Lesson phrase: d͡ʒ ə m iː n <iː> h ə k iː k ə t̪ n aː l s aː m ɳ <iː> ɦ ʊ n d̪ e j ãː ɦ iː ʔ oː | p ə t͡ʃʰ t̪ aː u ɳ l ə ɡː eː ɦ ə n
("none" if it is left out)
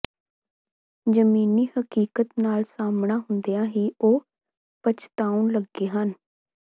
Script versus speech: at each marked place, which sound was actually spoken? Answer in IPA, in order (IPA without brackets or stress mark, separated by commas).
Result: iː, aː